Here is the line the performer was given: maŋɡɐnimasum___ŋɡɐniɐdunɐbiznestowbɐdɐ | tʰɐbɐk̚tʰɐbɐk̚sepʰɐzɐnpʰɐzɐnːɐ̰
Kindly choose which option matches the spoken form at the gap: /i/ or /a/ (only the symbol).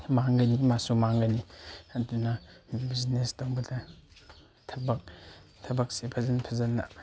a